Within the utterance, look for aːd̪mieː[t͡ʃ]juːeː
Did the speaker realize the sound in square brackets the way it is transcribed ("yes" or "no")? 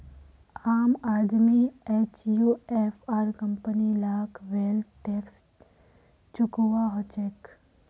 yes